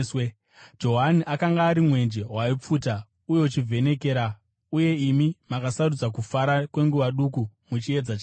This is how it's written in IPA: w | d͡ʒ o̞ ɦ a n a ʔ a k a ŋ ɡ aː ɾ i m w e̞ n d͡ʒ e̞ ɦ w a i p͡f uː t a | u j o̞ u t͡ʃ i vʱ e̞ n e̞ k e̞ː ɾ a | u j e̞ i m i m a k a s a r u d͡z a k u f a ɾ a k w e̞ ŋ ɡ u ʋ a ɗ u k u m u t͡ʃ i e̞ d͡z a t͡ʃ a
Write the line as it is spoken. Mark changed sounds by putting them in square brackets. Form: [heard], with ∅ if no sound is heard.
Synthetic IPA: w | d͡ʒ o̞ ɦ a n [i] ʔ a k a ŋ ɡ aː ɾ i m w e̞ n d͡ʒ e̞ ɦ w a i p͡f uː t a | u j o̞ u t͡ʃ i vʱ e̞ n e̞ k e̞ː ɾ a | u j e̞ i m i m a k a s a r u d͡z a k u f a ɾ a k w e̞ ŋ ɡ u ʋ a ɗ u k u m u t͡ʃ i e̞ d͡z a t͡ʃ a